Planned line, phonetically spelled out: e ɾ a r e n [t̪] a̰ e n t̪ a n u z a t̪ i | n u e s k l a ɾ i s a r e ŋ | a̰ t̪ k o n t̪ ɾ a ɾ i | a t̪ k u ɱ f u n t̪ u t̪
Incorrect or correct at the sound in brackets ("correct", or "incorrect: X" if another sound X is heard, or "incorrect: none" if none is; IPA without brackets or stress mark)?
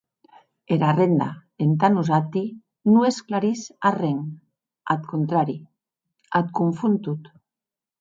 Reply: incorrect: d̪